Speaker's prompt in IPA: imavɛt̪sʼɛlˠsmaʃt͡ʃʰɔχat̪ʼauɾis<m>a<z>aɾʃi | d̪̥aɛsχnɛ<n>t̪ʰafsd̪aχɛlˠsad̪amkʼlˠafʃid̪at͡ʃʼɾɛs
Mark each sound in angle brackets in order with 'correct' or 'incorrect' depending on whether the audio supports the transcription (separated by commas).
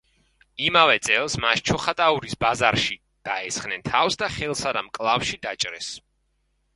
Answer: incorrect, correct, correct